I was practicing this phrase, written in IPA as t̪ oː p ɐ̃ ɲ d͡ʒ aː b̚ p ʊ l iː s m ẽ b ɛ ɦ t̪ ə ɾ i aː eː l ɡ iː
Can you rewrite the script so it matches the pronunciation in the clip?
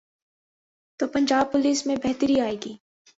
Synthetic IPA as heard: t̪ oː p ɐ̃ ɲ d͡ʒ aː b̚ p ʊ l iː s m ẽ b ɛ ɦ t̪ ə ɾ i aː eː ɡ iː